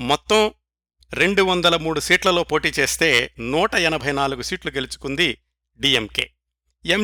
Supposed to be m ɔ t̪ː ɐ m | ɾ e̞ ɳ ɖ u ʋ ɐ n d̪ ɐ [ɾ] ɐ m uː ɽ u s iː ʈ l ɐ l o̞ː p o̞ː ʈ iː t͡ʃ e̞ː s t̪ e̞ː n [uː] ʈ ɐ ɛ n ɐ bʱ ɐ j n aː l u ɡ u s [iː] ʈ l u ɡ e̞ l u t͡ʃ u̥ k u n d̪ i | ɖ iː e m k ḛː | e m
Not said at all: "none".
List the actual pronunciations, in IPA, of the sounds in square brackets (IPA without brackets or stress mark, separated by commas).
l, uː, iː